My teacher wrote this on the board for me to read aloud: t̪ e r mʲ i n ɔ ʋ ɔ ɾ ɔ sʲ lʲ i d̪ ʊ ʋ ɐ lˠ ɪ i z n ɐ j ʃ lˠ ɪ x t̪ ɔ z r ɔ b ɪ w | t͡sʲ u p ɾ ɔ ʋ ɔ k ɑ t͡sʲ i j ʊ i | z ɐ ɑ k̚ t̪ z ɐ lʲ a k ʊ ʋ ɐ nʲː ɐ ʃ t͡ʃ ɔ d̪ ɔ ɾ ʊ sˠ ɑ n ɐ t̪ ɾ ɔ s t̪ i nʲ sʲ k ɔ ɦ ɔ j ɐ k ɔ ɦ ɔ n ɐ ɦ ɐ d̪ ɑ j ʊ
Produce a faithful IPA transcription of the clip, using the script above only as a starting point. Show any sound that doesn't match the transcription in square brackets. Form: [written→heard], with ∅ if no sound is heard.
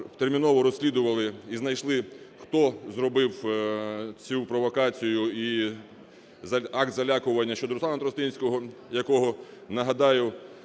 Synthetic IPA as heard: t̪ e r mʲ i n ɔ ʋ ɔ ɾ ɔ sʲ lʲ i d̪ ʊ ʋ ɐ lˠ ɪ i z n ɐ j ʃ lˠ ɪ x t̪ ɔ z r ɔ b ɪ w | t͡sʲ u p ɾ ɔ ʋ ɔ k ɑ t͡sʲ i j ʊ i | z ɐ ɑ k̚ t̪ z ɐ lʲ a k ʊ ʋ ɐ nʲː ɐ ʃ t͡ʃ ɔ d̪ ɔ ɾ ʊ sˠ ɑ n ɐ t̪ ɾ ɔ s t̪ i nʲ sʲ k ɔ ɦ ɔ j ɐ k ɔ ɦ ɔ n ɐ ɦ ɐ d̪ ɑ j ʊ

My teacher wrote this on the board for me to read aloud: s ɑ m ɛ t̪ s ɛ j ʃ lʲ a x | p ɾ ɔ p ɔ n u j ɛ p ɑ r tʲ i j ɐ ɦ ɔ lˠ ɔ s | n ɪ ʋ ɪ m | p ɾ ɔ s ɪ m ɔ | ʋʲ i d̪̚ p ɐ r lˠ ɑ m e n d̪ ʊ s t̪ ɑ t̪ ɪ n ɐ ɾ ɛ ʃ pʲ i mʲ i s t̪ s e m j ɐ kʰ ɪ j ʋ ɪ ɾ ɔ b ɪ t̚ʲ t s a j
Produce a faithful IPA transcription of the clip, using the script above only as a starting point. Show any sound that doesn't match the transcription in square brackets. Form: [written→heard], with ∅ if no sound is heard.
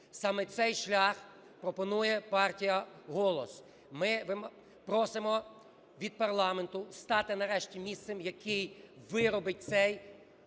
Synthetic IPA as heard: s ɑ m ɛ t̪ s ɛ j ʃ lʲ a x | p ɾ ɔ p ɔ n u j ɛ p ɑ r tʲ i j ɐ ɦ ɔ lˠ ɔ s | [n→m] ɪ ʋ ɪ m | p ɾ ɔ s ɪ m ɔ | ʋʲ i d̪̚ p ɐ r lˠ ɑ m e n [d̪→t̪] ʊ s t̪ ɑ t̪ ɪ n ɐ ɾ ɛ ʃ [pʲ→tʲ] i mʲ i s t̪ s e m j ɐ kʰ ɪ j ʋ ɪ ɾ ɔ b ɪ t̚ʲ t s [a→ɛ] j

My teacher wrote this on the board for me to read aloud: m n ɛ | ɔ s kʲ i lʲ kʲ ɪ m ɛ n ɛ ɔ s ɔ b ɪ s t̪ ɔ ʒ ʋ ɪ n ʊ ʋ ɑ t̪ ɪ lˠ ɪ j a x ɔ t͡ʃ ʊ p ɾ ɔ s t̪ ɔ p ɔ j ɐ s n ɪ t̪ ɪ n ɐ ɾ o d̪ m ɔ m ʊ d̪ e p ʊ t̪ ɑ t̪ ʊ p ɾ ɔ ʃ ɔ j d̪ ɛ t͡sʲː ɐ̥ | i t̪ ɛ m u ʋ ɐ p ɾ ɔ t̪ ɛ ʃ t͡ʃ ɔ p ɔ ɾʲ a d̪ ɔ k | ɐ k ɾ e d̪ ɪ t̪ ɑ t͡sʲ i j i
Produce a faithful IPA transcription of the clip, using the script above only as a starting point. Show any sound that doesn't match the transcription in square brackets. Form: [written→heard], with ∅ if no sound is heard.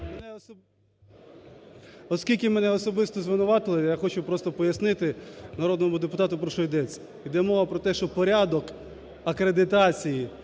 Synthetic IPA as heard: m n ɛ | ɔ s kʲ i lʲ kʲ ɪ m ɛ n ɛ ɔ s ɔ b ɪ s t̪ ɔ [ʒ→z] ʋ ɪ n ʊ ʋ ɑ t̪ ɪ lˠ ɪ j a x ɔ t͡ʃ ʊ p ɾ ɔ s t̪ ɔ p ɔ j ɐ s n ɪ t̪ ɪ n ɐ ɾ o d̪ [m→n] ɔ m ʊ d̪ e p ʊ t̪ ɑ t̪ ʊ p ɾ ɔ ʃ ɔ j d̪ ɛ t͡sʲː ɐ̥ | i [t̪→d̪] ɛ m [u→ɔ] ʋ ɐ p ɾ ɔ t̪ ɛ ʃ t͡ʃ ɔ p ɔ ɾʲ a d̪ ɔ k | ɐ k ɾ e d̪ ɪ t̪ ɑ t͡sʲ i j i

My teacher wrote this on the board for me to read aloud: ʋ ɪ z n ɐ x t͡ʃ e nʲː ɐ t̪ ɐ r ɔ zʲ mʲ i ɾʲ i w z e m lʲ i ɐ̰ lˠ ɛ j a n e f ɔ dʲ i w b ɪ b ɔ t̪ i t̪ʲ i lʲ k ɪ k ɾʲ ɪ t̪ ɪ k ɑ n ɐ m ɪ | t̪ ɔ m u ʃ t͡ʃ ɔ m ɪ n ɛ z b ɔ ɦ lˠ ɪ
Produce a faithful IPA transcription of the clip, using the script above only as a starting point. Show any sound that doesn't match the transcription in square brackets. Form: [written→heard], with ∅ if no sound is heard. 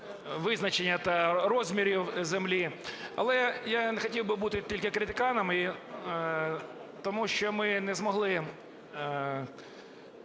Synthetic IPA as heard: ʋ ɪ z n ɐ [x→∅] t͡ʃ e nʲː ɐ t̪ ɐ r ɔ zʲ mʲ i ɾʲ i w z e m lʲ i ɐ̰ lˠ ɛ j a n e [f→x] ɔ [dʲ→tʲ] i w b ɪ b [ɔ→u] t̪ [i→ɪ] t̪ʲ i lʲ k ɪ k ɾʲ ɪ t̪ ɪ k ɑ n ɐ m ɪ | t̪ ɔ m u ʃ t͡ʃ ɔ m ɪ n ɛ z [b→m] ɔ ɦ lˠ ɪ

